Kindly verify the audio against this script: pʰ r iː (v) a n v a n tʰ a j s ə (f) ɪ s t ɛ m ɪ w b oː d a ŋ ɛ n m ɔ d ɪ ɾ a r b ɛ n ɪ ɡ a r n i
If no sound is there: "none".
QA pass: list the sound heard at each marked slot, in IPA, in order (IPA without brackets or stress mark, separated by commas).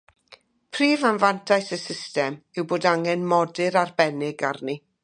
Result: v, s